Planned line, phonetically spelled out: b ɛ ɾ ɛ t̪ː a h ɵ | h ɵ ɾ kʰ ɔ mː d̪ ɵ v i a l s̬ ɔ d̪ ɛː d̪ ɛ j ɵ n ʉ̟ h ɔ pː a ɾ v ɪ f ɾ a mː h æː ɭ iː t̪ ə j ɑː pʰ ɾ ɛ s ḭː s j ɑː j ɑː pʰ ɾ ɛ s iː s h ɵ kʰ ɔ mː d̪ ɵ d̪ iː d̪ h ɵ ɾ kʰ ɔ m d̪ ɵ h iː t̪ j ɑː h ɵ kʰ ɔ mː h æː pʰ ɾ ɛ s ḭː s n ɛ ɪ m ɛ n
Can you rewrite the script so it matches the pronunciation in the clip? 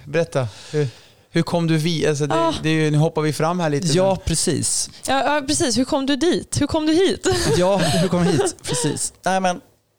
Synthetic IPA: b ɛ ɾ ɛ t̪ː a h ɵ | h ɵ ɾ kʰ ɔ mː d̪ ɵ v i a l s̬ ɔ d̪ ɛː d̪ ɛ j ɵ n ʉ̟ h ɔ pː a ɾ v ɪ f ɾ a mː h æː ɭ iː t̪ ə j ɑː pʰ ɾ ɛ s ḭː s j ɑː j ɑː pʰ ɾ ɛ s iː s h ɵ kʰ ɔ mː d̪ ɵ d̪ iː t̪ h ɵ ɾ kʰ ɔ m d̪ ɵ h iː t̪ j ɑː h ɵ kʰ ɔ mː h iː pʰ ɾ ɛ s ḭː s n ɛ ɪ m ɛ n